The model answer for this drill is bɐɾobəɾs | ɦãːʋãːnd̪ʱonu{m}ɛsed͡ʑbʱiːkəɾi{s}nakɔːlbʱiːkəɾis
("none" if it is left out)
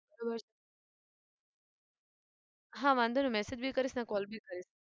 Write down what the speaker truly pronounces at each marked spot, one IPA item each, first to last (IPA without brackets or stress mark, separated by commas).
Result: m, s